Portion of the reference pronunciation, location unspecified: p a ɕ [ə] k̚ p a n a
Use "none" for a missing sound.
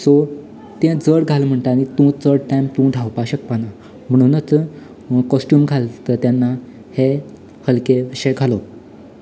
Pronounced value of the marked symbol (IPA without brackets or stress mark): ə